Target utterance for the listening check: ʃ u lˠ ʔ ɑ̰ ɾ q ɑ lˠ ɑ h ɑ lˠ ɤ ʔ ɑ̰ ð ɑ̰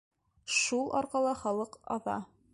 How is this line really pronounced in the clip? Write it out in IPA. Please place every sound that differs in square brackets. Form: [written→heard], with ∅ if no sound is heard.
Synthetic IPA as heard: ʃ u lˠ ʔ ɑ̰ ɾ q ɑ lˠ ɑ [h→χ] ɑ lˠ ɤ [ʔ→q] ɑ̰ ð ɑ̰